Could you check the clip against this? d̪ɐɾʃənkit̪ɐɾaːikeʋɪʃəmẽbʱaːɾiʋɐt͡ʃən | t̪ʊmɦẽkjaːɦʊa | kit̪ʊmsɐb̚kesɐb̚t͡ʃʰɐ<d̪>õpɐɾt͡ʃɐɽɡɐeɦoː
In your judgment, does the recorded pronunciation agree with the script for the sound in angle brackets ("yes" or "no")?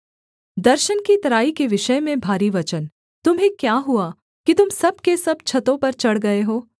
no